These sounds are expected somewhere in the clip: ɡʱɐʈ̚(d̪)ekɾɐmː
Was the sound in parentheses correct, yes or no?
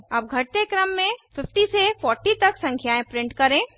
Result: no